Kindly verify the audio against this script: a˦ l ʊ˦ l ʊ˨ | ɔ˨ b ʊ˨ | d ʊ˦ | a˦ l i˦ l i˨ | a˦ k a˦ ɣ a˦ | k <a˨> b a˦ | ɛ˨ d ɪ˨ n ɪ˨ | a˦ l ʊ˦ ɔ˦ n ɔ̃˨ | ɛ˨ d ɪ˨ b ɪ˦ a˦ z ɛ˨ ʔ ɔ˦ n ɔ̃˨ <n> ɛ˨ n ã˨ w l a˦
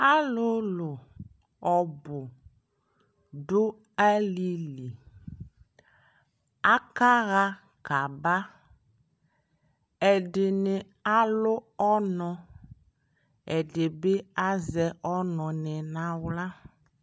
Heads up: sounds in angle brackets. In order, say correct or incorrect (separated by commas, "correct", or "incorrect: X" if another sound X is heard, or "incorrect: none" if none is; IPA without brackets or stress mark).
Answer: correct, correct